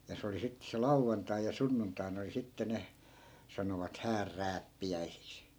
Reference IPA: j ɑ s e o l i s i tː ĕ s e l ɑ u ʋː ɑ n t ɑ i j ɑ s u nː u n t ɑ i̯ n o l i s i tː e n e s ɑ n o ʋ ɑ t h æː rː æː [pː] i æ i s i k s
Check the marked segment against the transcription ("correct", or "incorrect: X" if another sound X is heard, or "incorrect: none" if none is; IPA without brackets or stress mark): correct